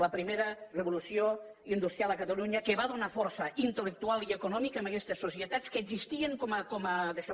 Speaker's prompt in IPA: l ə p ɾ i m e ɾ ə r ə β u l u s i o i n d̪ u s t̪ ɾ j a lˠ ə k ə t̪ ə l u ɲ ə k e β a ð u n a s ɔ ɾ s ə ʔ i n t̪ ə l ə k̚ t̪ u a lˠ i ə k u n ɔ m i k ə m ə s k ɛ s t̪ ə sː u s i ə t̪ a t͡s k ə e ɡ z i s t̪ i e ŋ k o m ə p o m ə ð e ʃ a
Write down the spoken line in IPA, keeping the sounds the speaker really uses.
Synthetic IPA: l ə p ɾ i m e ɾ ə r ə β u l u s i o i n d̪ u s t̪ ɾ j a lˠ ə k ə t̪ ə l u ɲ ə k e β a ð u n a f ɔ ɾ s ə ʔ i n t̪ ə l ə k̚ t̪ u a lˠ i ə k u n ɔ m i k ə m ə k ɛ s t̪ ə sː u s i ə t̪ a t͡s k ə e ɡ z i s t̪ i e ŋ k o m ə k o m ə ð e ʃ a